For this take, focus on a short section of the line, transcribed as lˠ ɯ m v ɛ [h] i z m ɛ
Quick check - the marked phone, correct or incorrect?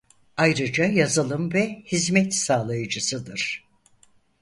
correct